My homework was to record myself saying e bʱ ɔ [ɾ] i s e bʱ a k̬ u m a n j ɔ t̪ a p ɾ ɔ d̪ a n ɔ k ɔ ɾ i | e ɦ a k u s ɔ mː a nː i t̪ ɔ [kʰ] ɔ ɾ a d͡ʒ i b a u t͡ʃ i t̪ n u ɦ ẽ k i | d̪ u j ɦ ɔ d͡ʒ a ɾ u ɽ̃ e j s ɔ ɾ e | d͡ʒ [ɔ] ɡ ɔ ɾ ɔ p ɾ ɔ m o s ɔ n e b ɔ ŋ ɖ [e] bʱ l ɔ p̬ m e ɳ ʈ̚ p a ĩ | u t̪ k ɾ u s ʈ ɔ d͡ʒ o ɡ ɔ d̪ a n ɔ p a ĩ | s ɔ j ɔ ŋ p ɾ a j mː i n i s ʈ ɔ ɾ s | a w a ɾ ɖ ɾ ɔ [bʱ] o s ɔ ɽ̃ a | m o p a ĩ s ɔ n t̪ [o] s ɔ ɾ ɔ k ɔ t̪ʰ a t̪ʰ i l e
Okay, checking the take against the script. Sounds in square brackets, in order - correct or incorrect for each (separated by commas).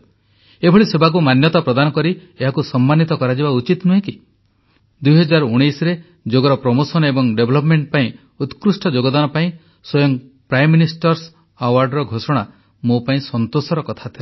incorrect, incorrect, incorrect, correct, incorrect, correct